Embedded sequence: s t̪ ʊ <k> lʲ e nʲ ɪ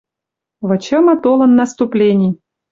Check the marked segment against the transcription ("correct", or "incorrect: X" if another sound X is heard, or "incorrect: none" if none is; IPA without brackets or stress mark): incorrect: p